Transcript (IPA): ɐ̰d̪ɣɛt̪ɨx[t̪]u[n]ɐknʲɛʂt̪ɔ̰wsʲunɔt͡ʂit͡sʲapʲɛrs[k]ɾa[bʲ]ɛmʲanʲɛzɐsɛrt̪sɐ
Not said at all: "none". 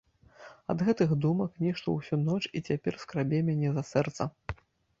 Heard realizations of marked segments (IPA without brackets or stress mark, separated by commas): d̪, m, k, bʲ